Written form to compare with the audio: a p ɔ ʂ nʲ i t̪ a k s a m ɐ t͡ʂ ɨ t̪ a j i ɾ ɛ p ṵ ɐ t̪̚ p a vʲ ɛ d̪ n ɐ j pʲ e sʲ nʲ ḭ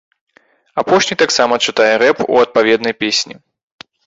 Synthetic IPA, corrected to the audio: a p ɔ ʂ nʲ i t̪ a k s a m ɐ t͡ʂ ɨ t̪ a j ɛ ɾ ɛ p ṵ ɐ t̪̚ p a vʲ ɛ d̪ n ɐ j pʲ e sʲ nʲ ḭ